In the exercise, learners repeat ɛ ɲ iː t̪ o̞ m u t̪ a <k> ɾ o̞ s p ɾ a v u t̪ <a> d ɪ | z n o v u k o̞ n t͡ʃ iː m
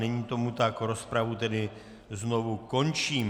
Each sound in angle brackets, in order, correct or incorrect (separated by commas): correct, incorrect